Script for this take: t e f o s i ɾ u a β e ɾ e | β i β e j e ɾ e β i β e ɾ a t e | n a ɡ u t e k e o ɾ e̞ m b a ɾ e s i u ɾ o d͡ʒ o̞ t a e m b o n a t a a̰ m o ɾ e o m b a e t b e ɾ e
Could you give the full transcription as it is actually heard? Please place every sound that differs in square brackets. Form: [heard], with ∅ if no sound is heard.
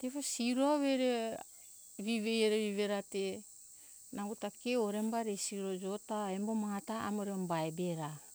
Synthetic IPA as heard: t e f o s i ɾ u a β e ɾ e | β i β e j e ɾ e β i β e ɾ a t e | n a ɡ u t [a] k e o ɾ e̞ m b a ɾ e s i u ɾ o d͡ʒ o̞ t a e m b o [m] a t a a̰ m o ɾ e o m b a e [∅] b e ɾ [a]